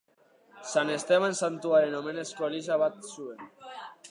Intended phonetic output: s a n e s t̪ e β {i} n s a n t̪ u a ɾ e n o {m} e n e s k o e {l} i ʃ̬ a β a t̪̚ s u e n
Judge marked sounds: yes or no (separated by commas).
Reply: no, yes, yes